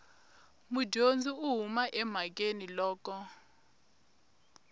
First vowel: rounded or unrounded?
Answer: rounded